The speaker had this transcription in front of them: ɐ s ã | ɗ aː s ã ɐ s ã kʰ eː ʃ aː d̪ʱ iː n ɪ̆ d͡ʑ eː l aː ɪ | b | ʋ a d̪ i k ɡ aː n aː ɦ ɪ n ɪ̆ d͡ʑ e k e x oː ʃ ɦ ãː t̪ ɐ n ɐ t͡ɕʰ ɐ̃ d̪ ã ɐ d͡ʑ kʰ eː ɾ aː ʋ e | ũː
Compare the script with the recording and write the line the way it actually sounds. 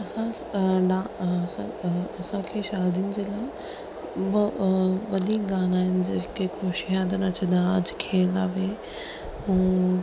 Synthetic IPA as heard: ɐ s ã | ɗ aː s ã ɐ s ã kʰ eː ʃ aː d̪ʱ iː n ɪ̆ d͡ʑ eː l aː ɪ | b | ʋ ɐ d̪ i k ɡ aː n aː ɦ ɪ n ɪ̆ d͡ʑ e k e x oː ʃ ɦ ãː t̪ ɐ n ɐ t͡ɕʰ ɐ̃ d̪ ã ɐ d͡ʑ kʰ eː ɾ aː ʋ e | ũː